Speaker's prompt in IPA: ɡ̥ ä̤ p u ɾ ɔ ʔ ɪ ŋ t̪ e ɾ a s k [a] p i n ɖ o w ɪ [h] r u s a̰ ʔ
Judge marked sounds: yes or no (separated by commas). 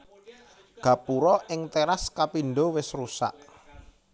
yes, no